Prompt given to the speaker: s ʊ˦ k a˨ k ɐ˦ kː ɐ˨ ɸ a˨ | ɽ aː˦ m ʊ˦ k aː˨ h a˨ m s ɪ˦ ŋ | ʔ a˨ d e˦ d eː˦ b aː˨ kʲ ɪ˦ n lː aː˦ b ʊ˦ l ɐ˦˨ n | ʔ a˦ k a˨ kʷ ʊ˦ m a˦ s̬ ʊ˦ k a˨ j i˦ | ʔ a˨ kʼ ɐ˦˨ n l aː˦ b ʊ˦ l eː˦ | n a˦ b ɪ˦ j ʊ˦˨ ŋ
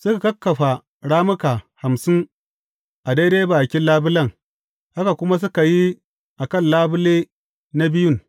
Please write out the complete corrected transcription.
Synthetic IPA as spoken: s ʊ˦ k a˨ k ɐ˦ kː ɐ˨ ɸ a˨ | ɽ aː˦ m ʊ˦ k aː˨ h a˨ m s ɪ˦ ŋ | ʔ a˨ d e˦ d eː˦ b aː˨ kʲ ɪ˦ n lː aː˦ b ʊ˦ l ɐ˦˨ ŋ | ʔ a˦ k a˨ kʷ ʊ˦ m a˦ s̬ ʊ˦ k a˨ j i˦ | ʔ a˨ k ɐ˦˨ n l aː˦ b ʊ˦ l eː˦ | n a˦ b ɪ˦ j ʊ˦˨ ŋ